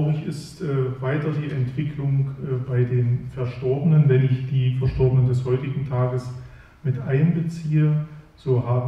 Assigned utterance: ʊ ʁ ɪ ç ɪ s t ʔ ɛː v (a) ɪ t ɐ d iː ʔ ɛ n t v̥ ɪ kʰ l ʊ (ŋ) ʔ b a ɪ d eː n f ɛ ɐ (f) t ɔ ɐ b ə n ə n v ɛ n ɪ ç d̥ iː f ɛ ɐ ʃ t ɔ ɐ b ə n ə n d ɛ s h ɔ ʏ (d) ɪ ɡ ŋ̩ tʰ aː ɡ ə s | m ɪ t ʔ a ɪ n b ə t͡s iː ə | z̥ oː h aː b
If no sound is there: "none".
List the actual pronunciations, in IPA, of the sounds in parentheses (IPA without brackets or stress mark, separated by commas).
a, ŋ, ʃ, t